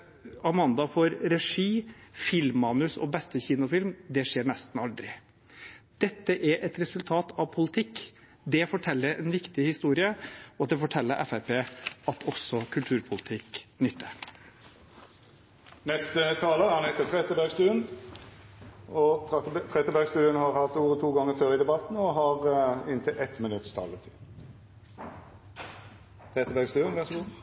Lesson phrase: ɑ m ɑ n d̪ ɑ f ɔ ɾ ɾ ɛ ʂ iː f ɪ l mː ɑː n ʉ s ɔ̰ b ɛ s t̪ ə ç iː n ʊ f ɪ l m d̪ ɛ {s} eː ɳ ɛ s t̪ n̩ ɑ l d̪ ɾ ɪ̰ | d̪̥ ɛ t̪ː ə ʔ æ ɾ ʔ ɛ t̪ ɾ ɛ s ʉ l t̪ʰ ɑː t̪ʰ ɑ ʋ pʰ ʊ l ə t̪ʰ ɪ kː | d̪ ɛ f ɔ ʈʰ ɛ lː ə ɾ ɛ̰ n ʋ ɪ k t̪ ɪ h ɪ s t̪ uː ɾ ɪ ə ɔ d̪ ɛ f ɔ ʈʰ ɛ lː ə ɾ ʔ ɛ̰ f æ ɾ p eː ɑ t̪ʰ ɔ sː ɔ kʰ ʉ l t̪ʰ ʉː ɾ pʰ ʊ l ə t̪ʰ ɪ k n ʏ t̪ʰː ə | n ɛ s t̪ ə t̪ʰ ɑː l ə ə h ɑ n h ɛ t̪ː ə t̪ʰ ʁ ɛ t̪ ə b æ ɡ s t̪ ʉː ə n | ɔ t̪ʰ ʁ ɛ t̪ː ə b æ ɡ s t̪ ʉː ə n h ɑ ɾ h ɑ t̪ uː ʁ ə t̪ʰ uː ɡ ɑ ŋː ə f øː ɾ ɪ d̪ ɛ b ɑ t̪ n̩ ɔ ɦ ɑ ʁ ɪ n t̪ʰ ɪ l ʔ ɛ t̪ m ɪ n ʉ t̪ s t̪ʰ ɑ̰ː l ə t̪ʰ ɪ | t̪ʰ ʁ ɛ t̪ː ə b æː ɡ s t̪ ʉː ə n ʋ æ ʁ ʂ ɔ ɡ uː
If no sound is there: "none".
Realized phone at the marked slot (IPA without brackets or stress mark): ʂ